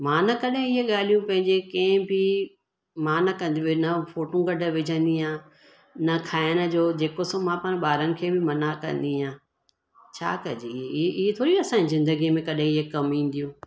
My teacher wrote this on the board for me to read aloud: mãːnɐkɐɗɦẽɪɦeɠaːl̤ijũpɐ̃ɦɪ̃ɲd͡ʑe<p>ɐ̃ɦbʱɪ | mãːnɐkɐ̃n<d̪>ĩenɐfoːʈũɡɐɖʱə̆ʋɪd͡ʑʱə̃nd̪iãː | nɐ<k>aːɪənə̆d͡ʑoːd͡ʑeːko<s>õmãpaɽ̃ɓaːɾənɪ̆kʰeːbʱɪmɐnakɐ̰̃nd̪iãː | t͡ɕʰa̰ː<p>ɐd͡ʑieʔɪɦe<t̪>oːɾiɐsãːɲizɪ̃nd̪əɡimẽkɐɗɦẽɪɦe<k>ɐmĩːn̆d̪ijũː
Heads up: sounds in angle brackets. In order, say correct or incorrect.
incorrect, correct, incorrect, correct, incorrect, incorrect, correct

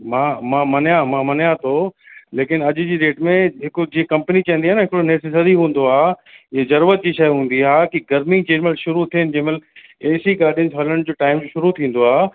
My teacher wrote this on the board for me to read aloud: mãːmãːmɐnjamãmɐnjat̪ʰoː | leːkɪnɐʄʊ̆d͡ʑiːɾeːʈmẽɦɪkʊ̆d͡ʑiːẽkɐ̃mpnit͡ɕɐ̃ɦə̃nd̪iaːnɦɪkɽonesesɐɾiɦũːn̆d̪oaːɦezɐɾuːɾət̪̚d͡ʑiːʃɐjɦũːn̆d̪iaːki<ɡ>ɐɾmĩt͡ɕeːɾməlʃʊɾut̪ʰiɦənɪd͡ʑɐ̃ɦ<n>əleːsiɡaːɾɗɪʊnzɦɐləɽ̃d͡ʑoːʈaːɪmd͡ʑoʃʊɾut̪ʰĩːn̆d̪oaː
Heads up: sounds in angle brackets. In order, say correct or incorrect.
correct, incorrect

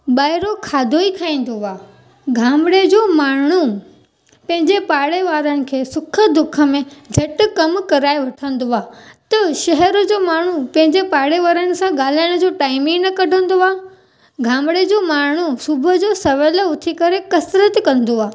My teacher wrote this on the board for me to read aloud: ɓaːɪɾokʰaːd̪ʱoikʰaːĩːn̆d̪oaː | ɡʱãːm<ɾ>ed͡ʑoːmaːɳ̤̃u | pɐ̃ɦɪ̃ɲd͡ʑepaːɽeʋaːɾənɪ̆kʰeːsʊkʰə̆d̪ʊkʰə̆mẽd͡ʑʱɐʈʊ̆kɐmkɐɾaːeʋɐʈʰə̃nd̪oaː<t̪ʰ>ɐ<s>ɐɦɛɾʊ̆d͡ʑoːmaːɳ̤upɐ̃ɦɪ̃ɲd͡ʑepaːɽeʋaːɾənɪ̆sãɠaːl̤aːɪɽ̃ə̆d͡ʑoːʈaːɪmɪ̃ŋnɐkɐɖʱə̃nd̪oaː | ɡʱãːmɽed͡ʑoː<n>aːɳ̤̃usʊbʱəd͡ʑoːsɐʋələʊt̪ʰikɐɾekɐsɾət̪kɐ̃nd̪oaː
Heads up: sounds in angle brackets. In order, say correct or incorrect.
incorrect, incorrect, incorrect, incorrect

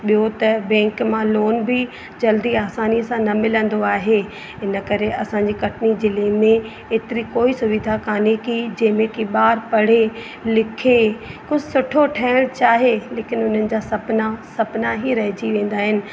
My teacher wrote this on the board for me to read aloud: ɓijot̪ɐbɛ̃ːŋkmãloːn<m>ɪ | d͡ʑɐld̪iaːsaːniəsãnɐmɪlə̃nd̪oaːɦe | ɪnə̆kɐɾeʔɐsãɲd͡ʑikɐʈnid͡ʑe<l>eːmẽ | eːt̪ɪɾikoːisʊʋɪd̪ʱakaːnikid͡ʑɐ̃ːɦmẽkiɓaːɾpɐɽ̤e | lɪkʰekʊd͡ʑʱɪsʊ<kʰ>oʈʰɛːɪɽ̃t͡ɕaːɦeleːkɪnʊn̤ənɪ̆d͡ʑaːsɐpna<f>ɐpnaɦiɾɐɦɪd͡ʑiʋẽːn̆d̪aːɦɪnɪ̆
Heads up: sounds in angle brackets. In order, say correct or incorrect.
incorrect, correct, incorrect, incorrect

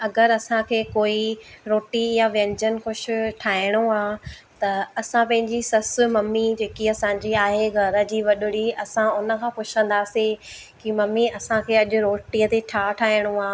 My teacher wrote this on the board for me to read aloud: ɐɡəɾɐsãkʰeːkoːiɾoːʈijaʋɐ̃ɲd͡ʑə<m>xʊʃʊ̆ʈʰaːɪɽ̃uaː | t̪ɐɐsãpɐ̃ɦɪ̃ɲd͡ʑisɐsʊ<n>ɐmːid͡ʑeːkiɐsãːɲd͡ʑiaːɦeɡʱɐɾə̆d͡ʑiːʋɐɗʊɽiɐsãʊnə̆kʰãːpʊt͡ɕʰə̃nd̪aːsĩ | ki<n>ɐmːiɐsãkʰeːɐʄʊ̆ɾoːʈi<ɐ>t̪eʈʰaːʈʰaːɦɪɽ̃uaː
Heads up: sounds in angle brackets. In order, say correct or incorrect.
incorrect, incorrect, incorrect, incorrect

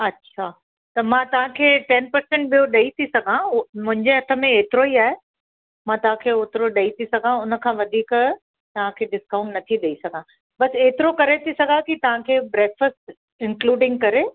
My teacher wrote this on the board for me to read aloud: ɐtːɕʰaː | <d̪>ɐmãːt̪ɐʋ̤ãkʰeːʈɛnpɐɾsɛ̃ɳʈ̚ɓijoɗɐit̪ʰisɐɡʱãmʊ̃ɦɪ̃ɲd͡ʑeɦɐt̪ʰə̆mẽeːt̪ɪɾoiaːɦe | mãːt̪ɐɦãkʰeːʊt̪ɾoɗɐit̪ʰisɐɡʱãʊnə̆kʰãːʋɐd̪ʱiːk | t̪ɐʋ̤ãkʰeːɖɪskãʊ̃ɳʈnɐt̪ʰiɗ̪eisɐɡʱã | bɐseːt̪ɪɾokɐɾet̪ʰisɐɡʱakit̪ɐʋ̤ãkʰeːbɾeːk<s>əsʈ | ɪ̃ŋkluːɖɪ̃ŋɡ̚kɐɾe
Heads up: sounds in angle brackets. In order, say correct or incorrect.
incorrect, incorrect

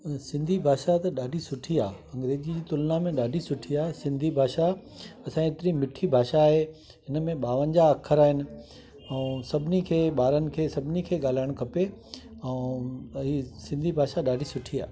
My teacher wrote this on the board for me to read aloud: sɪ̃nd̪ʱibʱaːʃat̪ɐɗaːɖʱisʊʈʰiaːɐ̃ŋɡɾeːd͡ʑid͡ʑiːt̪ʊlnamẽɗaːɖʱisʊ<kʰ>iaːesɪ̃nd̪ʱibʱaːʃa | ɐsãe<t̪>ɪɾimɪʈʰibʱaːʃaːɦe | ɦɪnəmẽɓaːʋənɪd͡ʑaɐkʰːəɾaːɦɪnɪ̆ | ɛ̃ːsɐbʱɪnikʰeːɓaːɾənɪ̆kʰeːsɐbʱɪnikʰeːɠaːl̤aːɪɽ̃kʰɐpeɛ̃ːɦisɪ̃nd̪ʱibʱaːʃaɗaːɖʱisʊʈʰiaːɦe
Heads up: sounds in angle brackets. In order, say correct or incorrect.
incorrect, correct

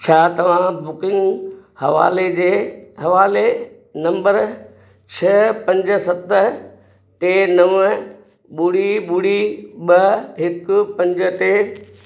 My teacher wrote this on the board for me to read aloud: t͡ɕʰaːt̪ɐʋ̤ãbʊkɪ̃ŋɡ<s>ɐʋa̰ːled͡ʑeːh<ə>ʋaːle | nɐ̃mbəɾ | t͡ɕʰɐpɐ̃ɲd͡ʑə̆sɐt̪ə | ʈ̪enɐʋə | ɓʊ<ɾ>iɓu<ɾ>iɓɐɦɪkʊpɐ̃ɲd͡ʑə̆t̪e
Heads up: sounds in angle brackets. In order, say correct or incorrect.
incorrect, incorrect, incorrect, incorrect

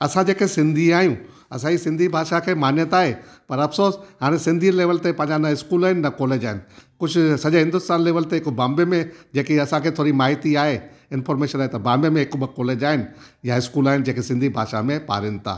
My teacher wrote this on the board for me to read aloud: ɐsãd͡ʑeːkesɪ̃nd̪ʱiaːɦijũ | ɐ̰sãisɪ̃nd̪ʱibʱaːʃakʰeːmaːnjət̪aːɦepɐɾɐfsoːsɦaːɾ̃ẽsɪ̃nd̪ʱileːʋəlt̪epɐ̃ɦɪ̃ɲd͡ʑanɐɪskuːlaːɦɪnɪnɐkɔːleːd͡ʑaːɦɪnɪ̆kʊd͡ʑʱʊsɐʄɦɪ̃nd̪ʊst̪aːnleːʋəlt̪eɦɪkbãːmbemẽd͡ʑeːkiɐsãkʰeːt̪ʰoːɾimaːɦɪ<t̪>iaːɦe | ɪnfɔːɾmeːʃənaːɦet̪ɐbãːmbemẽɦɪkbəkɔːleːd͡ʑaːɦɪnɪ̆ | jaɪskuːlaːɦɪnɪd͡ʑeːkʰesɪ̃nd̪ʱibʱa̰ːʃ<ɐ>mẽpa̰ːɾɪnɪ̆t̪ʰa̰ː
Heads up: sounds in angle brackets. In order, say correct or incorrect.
correct, incorrect

